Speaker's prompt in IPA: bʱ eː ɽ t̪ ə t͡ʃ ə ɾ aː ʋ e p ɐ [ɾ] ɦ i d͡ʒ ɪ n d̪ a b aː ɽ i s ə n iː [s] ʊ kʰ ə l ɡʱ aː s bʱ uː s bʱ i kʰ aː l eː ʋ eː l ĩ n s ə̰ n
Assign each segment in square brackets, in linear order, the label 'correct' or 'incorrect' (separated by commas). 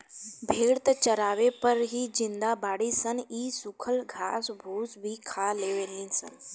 correct, correct